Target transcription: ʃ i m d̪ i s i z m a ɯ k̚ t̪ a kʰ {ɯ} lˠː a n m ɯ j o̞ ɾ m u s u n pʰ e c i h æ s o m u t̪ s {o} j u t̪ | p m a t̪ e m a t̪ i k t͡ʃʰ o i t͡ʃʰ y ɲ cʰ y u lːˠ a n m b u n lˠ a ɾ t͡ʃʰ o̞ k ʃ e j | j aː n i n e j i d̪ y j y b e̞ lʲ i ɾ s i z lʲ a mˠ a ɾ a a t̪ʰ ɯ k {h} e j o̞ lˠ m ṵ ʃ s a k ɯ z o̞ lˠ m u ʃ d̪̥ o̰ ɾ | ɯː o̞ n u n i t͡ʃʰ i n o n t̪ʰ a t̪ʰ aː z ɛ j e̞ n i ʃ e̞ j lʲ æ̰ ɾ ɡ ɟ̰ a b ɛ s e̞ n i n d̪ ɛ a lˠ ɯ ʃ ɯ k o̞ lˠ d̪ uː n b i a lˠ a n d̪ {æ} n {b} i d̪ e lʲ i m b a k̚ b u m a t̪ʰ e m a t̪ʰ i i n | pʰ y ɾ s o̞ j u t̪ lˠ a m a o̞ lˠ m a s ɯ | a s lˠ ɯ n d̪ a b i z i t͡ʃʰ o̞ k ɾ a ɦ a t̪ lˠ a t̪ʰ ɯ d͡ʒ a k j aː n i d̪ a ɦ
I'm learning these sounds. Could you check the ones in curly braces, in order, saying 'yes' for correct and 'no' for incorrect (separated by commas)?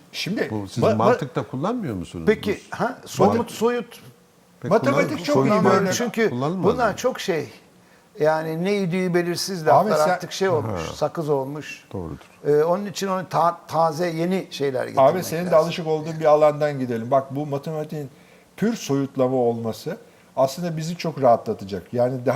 no, yes, no, no, no